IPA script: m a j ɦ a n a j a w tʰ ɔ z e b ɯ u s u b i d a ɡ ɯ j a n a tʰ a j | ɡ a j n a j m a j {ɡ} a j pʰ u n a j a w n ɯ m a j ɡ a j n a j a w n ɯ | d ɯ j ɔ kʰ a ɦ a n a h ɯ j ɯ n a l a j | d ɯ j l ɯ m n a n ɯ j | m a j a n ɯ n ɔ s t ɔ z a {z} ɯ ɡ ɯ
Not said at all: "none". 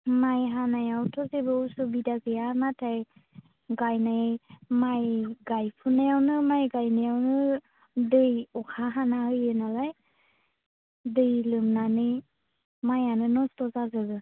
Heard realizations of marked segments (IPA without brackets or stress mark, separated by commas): ɡ, z